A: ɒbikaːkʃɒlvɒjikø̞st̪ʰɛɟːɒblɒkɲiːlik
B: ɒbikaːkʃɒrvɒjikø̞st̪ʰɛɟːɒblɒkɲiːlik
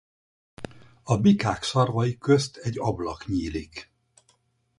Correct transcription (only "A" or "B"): B